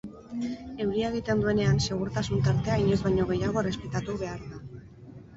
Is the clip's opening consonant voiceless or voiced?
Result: voiced